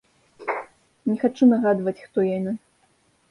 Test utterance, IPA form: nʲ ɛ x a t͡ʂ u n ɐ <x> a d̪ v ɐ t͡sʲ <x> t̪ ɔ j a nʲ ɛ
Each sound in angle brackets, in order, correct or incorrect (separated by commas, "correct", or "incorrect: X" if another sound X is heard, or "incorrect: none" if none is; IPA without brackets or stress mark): incorrect: ɣ, correct